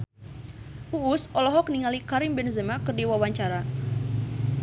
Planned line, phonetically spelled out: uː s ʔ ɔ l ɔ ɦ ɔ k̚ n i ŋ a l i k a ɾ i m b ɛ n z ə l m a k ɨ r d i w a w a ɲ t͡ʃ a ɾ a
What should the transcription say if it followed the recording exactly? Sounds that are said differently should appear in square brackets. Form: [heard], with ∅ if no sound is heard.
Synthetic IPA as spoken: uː s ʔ ɔ l ɔ ɦ ɔ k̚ n i ŋ a l i k a ɾ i m b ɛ n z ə [∅] m a k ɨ r d i w a w a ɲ t͡ʃ a ɾ a